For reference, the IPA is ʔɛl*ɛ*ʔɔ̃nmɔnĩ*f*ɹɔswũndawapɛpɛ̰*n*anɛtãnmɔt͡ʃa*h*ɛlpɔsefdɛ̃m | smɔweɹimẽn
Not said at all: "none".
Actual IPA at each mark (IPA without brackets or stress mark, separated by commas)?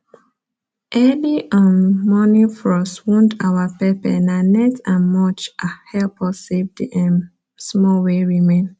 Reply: i, f, n, h